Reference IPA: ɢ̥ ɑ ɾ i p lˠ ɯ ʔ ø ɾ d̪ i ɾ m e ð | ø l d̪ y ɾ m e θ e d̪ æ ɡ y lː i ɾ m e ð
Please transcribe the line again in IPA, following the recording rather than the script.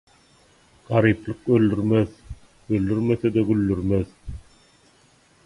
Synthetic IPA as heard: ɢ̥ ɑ ɾ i p lˠ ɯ q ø l d̪ y ɾ m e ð | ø l d̪ y ɾ m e θ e d̪ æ ɡ y lː y ɾ m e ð